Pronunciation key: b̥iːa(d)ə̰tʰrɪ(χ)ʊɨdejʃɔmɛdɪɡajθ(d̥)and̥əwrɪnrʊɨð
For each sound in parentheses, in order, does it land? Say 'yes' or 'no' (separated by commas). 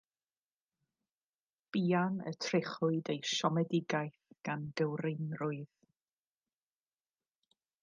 no, yes, no